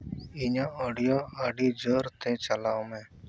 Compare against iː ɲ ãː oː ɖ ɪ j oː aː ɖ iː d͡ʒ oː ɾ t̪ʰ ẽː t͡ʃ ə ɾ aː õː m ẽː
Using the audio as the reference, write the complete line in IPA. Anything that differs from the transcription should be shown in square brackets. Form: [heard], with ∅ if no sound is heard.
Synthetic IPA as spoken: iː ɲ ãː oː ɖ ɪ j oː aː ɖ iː d͡ʒ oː ɾ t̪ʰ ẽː t͡ʃ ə [l] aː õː m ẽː